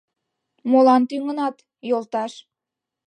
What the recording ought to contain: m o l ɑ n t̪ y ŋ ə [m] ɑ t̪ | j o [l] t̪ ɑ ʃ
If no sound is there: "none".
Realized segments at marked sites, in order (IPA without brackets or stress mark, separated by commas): n, l